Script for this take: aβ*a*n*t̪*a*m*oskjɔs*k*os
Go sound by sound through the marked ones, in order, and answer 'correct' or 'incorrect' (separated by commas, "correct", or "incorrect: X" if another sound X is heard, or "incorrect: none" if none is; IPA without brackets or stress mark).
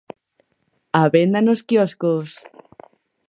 incorrect: e, incorrect: d̪, incorrect: n, correct